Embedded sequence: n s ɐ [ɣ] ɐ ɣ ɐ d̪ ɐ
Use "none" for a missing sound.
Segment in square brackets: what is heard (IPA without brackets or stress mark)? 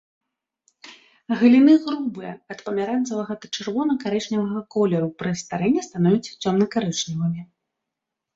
v